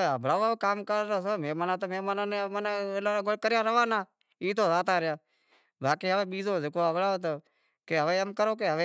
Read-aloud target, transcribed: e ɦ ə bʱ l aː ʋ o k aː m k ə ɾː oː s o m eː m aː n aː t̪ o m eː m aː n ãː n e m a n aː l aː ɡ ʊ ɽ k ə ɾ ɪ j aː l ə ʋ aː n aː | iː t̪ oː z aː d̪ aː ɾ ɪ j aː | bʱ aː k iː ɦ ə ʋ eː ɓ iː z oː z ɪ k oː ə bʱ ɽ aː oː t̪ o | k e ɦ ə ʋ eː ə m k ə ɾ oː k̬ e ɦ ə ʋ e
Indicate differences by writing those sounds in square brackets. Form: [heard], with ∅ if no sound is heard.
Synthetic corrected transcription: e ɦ ə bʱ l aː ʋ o k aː m k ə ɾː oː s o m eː m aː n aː t̪ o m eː m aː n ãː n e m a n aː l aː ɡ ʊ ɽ k ə ɾ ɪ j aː [ɾ] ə ʋ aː n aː | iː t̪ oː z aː [t̪] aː ɾ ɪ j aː | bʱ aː k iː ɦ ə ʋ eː ɓ iː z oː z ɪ k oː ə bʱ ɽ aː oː t̪ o | k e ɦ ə ʋ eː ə m k ə ɾ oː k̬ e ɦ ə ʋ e